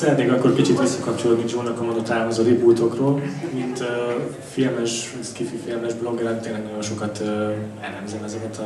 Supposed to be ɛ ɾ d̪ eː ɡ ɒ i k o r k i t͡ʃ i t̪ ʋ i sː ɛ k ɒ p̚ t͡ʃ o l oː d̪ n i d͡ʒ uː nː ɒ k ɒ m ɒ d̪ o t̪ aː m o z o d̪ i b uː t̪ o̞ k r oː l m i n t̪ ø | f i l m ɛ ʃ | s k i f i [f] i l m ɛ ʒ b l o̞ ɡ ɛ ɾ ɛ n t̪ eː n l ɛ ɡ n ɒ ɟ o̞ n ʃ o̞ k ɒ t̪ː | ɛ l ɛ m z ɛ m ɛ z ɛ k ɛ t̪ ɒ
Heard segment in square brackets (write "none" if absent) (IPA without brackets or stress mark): f